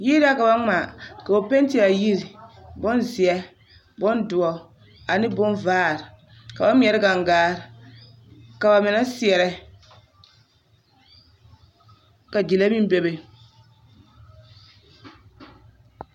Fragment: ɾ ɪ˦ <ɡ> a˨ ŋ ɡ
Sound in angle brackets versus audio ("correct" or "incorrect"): correct